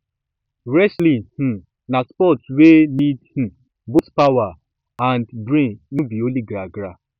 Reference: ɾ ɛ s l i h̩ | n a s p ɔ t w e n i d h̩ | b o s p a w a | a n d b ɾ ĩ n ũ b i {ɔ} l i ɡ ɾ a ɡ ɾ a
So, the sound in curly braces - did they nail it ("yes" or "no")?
no